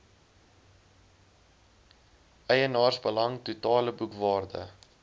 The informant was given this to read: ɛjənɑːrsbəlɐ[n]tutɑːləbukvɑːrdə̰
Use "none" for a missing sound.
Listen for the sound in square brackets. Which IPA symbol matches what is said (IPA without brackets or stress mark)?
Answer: ŋ